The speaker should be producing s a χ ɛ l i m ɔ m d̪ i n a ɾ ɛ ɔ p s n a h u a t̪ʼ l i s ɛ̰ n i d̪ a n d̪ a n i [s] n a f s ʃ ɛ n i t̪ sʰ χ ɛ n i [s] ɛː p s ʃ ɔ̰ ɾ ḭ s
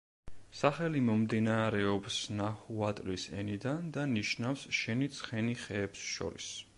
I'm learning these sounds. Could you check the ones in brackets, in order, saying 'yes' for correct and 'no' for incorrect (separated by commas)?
no, no